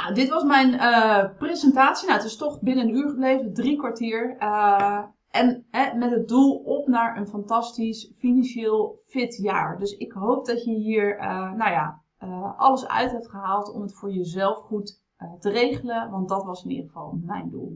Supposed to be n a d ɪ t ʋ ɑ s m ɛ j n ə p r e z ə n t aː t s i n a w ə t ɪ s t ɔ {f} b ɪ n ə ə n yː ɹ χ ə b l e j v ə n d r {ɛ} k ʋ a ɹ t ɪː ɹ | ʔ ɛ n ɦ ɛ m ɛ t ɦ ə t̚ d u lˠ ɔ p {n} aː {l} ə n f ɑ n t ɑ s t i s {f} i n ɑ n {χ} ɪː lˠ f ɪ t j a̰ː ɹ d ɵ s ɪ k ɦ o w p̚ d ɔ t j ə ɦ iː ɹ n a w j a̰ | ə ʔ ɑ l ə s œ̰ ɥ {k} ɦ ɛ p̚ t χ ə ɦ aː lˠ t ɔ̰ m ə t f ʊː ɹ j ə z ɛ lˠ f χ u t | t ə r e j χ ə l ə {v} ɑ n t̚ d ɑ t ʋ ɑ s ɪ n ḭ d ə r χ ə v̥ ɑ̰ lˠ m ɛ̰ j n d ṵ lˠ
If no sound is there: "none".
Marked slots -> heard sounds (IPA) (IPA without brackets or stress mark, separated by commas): χ, i, n, ɹ, f, ʃ, t, ʋ